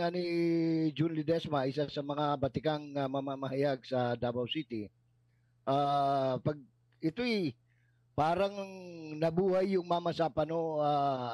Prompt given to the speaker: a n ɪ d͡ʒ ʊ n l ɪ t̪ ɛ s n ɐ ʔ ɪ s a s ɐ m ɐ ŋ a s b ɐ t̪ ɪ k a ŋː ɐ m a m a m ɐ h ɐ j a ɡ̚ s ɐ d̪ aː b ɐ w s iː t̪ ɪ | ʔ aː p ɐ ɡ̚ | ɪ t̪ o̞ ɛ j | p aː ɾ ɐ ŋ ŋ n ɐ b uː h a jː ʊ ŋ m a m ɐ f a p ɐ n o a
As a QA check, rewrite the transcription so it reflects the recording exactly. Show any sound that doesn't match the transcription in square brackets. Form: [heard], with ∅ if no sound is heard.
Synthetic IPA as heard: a n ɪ d͡ʒ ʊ n l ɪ [d̪] ɛ s [m] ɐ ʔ ɪ s a s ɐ m ɐ ŋ a [∅] b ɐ t̪ ɪ k a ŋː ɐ m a m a m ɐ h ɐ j a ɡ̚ s ɐ d̪ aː b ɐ w s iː t̪ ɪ | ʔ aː p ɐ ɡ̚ | ɪ t̪ o̞ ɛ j | p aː ɾ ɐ ŋ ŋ n ɐ b uː h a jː ʊ ŋ m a m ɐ [s] a p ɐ n o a

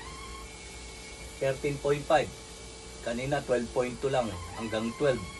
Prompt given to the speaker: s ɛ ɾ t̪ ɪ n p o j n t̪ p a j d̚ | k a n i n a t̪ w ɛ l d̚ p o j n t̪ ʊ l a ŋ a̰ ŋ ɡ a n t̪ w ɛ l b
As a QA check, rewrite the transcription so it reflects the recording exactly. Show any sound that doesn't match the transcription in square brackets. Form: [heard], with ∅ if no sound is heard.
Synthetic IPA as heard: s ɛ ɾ t̪ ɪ n p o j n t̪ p a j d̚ | k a n i n a t̪ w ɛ l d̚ p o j n t̪ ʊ l a ŋ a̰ ŋ ɡ a [ŋ] t̪ w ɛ l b

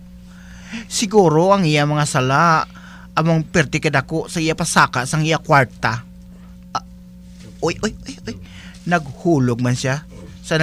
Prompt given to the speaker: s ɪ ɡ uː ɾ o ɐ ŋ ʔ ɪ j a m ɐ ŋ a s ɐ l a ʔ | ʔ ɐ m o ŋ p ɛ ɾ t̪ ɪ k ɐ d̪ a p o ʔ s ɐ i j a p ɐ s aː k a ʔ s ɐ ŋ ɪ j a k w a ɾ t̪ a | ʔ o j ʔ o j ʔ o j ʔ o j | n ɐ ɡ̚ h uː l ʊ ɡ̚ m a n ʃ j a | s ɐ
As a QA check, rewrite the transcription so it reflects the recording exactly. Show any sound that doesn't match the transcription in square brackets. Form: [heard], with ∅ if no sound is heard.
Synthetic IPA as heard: s ɪ ɡ uː ɾ o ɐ ŋ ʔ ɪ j a m ɐ ŋ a s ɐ l a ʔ | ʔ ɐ m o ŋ p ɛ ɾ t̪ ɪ k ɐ d̪ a [k] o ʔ s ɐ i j a p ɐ s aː k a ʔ s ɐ ŋ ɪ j a k w a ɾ t̪ a | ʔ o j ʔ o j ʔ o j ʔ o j | n ɐ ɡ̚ h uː l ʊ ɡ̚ m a n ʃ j a | s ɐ

